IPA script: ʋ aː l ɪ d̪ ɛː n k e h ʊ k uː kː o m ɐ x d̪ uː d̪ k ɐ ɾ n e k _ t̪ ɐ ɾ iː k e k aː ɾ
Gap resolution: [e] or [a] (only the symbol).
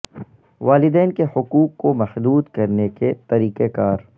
e